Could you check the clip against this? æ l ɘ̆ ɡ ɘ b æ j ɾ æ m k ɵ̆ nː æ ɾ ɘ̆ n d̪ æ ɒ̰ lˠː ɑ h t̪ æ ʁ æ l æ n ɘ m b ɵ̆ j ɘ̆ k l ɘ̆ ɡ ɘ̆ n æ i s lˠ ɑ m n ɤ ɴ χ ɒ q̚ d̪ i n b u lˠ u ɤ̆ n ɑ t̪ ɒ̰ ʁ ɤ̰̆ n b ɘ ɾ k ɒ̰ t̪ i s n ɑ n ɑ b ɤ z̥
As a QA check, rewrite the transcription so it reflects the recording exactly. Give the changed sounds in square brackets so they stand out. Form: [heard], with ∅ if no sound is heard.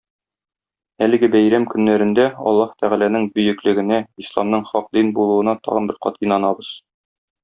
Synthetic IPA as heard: æ l ɘ̆ ɡ ɘ b æ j ɾ æ m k ɵ̆ nː æ ɾ ɘ̆ n d̪ æ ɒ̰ lˠː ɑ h t̪ æ ʁ æ l æ n ɘ [ŋ] b ɵ̆ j ɘ̆ k l ɘ̆ ɡ ɘ̆ n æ i s lˠ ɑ m n ɤ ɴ χ ɒ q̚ d̪ i n b u lˠ u ɤ̆ n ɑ t̪ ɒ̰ ʁ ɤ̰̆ n b ɘ ɾ [q] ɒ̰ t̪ i [∅] n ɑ n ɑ b ɤ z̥